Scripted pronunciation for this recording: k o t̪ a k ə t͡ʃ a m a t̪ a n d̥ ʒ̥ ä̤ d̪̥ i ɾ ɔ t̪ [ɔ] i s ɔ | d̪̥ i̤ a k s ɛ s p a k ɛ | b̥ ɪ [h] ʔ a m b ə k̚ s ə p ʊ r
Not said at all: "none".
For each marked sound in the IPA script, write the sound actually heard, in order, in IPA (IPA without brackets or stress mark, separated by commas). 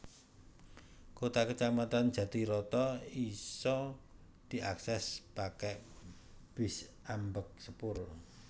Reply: ɔ, s